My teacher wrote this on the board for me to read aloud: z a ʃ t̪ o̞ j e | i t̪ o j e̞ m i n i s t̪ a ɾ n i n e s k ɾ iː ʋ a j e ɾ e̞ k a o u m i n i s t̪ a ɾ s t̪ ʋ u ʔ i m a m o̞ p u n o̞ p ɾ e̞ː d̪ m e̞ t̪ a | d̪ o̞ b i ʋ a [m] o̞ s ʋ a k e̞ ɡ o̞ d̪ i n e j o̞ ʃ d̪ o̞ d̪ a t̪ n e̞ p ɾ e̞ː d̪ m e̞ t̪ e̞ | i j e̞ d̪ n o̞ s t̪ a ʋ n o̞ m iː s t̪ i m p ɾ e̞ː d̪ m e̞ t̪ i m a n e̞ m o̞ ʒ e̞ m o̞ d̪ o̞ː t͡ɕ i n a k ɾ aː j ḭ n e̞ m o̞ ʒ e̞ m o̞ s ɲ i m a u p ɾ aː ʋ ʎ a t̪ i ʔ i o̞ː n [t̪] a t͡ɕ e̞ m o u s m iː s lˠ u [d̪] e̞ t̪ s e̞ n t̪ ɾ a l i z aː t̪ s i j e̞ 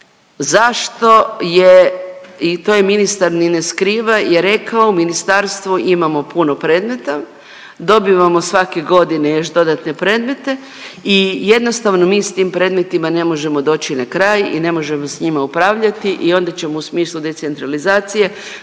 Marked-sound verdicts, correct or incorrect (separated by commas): correct, incorrect, correct